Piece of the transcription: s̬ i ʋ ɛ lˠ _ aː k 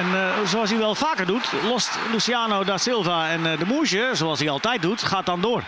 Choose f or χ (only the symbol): f